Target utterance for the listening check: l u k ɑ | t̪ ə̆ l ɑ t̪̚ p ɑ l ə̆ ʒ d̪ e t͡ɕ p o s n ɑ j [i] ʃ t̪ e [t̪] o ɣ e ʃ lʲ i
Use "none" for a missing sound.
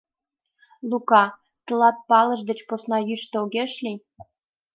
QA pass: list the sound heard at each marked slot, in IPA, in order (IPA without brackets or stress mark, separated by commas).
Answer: y, none